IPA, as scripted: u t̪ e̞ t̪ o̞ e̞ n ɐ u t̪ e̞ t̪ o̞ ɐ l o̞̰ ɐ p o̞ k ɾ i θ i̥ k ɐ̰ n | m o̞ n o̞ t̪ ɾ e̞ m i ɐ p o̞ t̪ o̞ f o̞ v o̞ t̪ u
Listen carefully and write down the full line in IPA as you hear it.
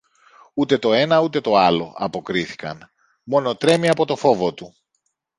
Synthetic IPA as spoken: u t̪ e̞ t̪ o̞ e̞ n ɐ u t̪ e̞ t̪ o̞ ɐ l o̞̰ ɐ p o̞ k ɾ i θ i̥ k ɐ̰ n | m o̞ n o̞ t̪ ɾ e̞ m i ɐ p o̞ t̪ o̞ f o̞ v o̞ t̪ u